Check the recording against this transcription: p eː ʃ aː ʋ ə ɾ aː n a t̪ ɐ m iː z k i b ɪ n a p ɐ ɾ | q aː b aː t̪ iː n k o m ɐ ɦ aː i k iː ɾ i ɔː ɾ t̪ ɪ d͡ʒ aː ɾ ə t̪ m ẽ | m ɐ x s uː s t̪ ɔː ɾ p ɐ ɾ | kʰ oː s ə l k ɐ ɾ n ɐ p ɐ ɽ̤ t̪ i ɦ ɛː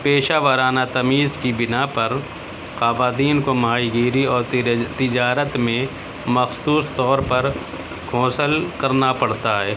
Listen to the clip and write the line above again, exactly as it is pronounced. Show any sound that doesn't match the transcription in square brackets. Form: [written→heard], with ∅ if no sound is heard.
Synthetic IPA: p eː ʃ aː ʋ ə ɾ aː n a t̪ ɐ m iː z k i b ɪ n a p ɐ ɾ | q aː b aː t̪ iː n k o m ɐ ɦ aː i [k→ɡ] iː ɾ i ɔː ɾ t̪ ɪ d͡ʒ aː ɾ ə t̪ m ẽ | m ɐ x s uː s t̪ ɔː ɾ p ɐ ɾ | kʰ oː s ə l k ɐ ɾ n [ɐ→a] p ɐ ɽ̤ t̪ [i→a] ɦ ɛː